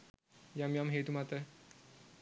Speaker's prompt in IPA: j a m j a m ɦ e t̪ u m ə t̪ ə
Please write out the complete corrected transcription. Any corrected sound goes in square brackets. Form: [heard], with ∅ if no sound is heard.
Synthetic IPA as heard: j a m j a m ɦ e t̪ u m [a] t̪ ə